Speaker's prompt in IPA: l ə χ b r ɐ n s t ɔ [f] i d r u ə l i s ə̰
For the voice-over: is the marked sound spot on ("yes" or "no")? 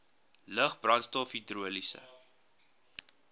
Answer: yes